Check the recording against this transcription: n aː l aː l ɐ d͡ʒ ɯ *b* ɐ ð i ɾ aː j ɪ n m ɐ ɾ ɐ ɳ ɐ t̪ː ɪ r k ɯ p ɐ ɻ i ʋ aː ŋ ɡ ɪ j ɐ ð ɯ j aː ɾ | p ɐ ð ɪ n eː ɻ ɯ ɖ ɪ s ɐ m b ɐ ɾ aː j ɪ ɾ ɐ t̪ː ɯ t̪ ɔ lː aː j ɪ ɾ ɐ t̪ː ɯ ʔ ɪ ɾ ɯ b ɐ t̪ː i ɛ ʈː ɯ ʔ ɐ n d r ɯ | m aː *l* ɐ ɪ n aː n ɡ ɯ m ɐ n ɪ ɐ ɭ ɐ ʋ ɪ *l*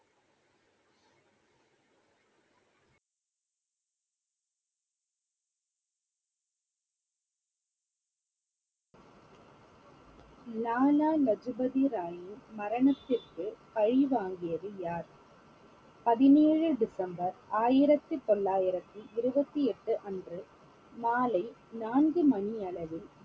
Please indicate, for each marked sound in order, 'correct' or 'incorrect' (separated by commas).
correct, correct, correct